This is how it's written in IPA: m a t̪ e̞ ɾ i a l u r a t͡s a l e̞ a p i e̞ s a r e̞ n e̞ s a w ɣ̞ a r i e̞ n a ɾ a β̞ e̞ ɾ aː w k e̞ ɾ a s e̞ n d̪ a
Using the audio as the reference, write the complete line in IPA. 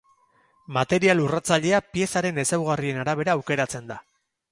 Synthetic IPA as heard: m a t̪ e̞ ɾ i a l u r a t͡s a ʎ e̞ a p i e̞ s a ɾ e̞ n e̞ s a w ɣ̞ a r i e̞ n a ɾ a β̞ e̞ ɾ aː w k e̞ ɾ a t͡s e̞ n d̪ a

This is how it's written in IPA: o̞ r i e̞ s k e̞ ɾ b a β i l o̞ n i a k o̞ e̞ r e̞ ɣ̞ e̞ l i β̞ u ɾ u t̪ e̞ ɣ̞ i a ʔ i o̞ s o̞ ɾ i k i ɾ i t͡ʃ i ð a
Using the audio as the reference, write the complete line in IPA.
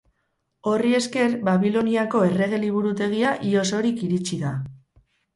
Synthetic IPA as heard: o̞ r i e̞ s k e̞ ɾ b a β i l o̞ n i a k o̞ e̞ r e̞ ɣ̞ e̞ l i β̞ u ɾ u t̪ e̞ ɣ̞ i a ʔ i o̞ s o̞ ɾ i k i ɾ i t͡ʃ i ð a

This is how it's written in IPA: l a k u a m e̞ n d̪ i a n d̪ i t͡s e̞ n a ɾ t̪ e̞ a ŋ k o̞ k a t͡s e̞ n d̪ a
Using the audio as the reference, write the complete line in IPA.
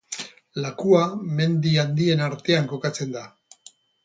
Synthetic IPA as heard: l a k u a m e̞ n d̪ i a n d̪ i e̞ n a ɾ t̪ e̞ a ŋ k o̞ k a t͡s e̞ n d̪ a

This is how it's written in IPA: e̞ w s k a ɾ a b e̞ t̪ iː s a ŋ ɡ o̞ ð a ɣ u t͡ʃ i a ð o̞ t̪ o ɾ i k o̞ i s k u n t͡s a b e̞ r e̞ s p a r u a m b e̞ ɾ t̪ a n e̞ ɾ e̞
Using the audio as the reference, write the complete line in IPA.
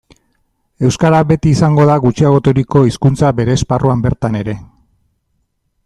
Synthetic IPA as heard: e̞ w s k a ɾ a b e̞ t̪ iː s a ŋ ɡ o̞ ð a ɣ u t͡ʃ i a ɣ o̞ t̪ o ɾ i k o̞ i s k u n t͡s a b e̞ ɾ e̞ s p a r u a m b e̞ ɾ t̪ a n e̞ ɾ e̞

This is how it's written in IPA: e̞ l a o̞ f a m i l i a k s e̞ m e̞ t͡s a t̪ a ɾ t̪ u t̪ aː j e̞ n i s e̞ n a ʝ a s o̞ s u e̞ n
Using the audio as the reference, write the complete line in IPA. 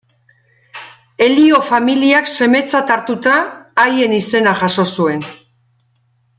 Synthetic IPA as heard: e̞ l i o̞ f a m i l i a k s e̞ m e̞ t͡s a t̪ a ɾ t̪ u t̪ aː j e̞ n i s e̞ n a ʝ a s o̞ s u e̞ n

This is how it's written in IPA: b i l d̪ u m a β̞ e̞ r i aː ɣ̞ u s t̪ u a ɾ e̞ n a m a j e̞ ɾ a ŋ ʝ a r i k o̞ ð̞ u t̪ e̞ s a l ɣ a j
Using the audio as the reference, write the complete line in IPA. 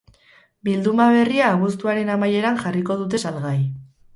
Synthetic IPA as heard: b i l d̪ u m a β̞ e̞ r i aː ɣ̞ u s t̪ u a ɾ e̞ n a m a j e̞ ɾ a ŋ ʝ a r i k o̞ ð̞ u t̪ e̞ s a l ɣ a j

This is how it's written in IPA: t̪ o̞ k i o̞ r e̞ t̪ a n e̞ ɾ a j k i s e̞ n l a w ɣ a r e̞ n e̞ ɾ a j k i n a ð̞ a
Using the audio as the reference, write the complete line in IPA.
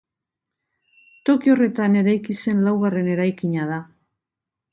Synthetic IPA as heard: t̪ o̞ k i o̞ r e̞ t̪ a n e̞ ɾ a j k i s e̞ n l a w ɣ a r e̞ n e̞ ɾ a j k i ɲ a ð̞ a

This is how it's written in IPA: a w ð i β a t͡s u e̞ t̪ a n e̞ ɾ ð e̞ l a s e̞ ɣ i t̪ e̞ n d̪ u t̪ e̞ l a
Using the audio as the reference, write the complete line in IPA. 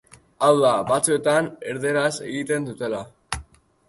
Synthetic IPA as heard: a w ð a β a t͡s u e̞ t̪ a n e̞ ɾ ð e̞ ɾ a s e̞ ɣ i t̪ e̞ n d̪ u t̪ e̞ l a

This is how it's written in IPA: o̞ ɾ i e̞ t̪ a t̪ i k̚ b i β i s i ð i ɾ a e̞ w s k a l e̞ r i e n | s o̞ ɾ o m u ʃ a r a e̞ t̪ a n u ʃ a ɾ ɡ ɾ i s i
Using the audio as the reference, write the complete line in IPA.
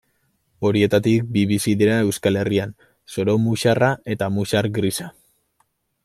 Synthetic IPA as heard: o̞ ɾ i e̞ t̪ a t̪ i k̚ b i β i s i ð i ɾ a e̞ w s k a l e̞ r i a n | s o̞ ɾ o m u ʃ a r a e̞ t̪ a m u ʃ a ɾ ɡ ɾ i s a

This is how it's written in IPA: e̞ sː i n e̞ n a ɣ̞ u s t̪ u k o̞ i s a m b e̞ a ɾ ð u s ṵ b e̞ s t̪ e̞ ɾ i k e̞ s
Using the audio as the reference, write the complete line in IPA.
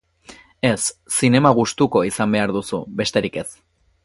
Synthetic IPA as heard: e̞ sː i n e̞ m a ɣ̞ u s t̪ u k o̞ i s a m b e̞ a ɾ ð u s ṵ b e̞ s t̪ e̞ ɾ i k e̞ s

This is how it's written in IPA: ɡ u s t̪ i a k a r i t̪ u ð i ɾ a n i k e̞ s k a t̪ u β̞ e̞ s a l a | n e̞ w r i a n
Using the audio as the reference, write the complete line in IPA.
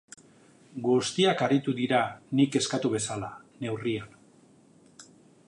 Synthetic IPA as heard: ɡ u s t̪ i a k a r i t̪ u ð i ɾ a n i k e̞ s k a t̪ u β̞ e̞ s a l a | n e̞ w r i a n

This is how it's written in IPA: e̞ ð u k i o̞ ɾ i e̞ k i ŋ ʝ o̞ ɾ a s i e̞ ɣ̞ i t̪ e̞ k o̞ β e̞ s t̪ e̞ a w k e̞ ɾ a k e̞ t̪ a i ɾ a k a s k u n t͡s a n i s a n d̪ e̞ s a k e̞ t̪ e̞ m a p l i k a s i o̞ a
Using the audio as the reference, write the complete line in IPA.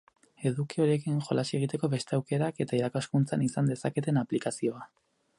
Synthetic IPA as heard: e̞ ð u k i o̞ ɾ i e̞ k i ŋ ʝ o̞ l a s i e̞ ɣ̞ i t̪ e̞ k o̞ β e̞ s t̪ e̞ a w k e̞ ɾ a k e̞ t̪ a i ɾ a k a s k u n t͡s a n i s a n d̪ e̞ s a k e̞ t̪ e̞ n a p l i k a s i o̞ a

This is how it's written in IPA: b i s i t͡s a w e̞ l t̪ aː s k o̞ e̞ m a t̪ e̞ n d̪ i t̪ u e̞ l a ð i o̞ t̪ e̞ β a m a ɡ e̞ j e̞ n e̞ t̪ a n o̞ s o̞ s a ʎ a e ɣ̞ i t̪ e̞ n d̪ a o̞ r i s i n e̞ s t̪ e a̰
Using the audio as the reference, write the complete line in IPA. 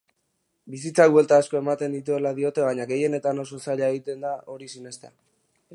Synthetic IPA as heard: b i s i t͡s a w e̞ l t̪ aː s k o̞ e̞ m a t̪ e̞ n d̪ i t̪ u e̞ l a ð i o̞ t̪ e̞ β a ɲ a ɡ e̞ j e̞ n e̞ t̪ a n o̞ s o̞ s a ʎ a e ɣ̞ i t̪ e̞ n d̪ a o̞ ɾ i s i n e̞ s t̪ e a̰

